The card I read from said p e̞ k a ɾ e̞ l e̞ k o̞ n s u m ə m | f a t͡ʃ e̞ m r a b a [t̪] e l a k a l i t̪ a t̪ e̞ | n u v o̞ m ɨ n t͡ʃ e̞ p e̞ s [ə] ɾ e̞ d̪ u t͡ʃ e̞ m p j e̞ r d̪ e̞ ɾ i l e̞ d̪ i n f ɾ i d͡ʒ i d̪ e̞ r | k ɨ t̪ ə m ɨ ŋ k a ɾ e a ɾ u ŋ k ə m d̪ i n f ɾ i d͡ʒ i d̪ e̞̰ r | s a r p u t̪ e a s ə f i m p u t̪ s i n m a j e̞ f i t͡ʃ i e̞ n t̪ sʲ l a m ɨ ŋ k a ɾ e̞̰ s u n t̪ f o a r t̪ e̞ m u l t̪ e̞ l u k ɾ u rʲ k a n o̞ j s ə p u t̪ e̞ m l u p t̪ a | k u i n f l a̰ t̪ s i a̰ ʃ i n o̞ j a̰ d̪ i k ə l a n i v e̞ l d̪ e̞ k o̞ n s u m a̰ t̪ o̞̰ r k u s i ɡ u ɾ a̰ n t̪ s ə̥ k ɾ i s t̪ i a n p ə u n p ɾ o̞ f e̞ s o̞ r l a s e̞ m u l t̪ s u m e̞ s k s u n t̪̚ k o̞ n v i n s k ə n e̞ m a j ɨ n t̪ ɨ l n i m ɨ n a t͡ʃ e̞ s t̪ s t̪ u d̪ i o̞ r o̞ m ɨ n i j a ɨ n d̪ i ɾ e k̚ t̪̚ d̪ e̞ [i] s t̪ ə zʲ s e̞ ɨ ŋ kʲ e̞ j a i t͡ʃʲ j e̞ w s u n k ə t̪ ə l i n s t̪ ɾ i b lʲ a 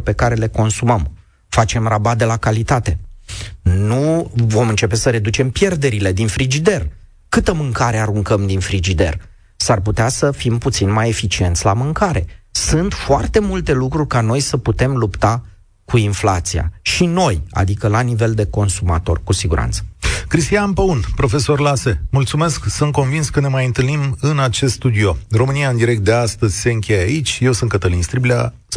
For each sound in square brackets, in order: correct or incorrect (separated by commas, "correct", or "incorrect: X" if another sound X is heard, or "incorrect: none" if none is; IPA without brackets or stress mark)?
incorrect: d̪, correct, incorrect: a